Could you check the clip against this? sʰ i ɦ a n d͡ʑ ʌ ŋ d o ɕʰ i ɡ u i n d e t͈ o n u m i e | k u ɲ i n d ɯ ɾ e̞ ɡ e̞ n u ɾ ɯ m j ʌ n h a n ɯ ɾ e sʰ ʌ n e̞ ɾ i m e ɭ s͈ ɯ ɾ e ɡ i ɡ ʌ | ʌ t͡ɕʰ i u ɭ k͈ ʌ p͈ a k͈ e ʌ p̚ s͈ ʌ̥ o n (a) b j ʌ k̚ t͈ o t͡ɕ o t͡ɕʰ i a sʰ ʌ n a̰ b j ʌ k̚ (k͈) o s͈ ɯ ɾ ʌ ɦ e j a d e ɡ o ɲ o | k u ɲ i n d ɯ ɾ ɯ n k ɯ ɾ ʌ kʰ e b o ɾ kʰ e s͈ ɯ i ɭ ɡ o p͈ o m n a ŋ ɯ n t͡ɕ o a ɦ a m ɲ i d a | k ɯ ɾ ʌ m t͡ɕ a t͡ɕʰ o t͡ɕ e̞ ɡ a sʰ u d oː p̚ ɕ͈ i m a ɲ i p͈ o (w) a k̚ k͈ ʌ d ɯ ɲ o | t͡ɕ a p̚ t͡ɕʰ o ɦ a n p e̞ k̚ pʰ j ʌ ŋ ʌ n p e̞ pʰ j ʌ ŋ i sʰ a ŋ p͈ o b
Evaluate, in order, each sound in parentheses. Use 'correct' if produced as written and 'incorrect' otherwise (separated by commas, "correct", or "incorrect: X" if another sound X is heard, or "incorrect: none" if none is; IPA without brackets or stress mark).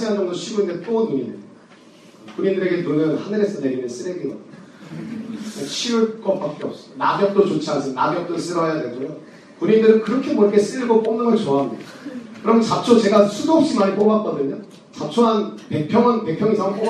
correct, incorrect: t͈, incorrect: b